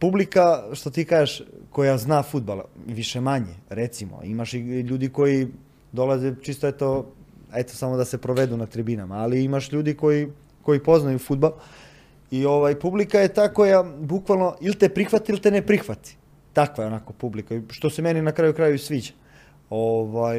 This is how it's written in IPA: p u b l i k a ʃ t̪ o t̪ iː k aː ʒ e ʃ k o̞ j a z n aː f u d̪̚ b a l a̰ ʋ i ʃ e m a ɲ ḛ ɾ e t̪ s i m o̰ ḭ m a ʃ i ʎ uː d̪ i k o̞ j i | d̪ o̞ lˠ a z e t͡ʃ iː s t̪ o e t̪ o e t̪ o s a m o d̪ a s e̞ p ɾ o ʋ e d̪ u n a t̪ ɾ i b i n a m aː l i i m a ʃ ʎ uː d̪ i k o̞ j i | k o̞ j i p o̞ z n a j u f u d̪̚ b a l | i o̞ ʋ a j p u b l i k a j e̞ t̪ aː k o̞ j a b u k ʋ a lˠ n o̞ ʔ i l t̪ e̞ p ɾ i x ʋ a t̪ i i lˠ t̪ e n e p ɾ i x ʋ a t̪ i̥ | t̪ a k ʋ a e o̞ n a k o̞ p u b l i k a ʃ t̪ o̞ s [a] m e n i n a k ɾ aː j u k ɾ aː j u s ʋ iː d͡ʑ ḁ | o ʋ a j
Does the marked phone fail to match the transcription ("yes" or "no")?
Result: yes